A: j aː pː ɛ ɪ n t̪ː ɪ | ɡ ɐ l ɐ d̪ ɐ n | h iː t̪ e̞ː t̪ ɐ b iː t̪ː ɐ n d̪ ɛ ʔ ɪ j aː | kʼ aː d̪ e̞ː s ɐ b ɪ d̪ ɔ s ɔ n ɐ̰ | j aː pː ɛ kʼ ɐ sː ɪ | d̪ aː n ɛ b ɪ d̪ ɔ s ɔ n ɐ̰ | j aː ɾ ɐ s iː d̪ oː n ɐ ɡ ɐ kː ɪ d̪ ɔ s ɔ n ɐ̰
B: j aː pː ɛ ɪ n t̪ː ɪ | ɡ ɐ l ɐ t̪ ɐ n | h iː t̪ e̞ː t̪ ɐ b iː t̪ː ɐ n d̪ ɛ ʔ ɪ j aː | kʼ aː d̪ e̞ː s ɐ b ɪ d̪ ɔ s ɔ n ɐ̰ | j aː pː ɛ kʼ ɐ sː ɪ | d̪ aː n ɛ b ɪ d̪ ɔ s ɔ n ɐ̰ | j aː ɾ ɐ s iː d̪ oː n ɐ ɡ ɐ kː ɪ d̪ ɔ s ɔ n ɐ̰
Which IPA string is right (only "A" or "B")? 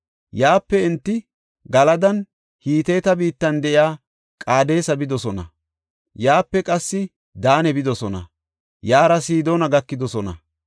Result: A